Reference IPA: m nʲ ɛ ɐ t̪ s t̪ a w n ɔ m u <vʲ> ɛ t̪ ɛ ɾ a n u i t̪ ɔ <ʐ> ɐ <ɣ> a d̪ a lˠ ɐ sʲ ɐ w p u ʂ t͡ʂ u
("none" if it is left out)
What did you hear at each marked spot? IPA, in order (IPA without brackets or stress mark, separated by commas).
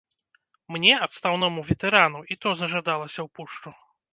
vʲ, z, ʐ